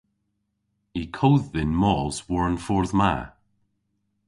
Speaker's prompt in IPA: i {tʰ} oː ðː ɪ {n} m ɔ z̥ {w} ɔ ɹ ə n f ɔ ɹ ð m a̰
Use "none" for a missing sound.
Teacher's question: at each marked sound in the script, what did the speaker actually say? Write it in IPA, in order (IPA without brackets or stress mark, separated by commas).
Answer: kʰ, n, w